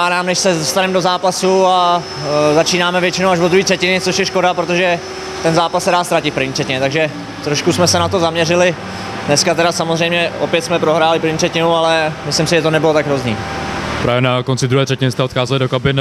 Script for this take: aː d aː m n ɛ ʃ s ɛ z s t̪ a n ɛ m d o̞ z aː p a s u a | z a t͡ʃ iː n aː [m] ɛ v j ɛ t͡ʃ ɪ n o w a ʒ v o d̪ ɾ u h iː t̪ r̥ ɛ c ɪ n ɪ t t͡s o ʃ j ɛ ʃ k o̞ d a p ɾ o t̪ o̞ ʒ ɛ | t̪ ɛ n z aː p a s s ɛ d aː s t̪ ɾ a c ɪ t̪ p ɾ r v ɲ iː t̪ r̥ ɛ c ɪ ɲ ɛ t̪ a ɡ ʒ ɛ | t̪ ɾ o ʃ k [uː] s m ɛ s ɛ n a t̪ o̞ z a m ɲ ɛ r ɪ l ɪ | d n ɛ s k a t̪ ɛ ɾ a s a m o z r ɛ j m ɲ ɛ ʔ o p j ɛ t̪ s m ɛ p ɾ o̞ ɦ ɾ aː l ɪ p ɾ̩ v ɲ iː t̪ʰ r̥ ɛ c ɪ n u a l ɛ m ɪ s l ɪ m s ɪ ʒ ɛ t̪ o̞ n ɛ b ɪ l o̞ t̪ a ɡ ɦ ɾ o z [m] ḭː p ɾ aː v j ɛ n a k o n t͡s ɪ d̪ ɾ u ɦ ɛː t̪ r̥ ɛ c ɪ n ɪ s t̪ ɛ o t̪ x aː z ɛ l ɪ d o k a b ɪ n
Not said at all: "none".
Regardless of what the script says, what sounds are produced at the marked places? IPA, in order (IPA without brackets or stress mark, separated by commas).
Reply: m, u, ɲ